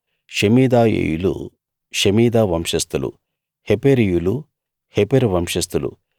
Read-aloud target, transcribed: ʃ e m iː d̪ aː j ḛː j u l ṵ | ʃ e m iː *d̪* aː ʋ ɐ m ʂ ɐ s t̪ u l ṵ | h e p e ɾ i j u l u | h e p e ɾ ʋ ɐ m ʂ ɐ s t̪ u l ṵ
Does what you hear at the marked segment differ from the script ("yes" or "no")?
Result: no